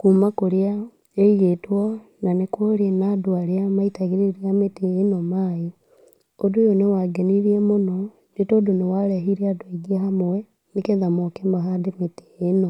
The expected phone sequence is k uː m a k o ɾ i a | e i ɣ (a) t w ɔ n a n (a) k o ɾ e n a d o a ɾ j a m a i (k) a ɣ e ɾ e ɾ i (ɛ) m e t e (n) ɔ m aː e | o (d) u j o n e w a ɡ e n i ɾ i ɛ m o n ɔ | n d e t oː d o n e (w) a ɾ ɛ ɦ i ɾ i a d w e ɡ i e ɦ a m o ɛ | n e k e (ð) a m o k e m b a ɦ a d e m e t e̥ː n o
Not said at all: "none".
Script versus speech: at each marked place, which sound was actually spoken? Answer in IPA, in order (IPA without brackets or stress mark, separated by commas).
e, e, t, a, n, d, w, ð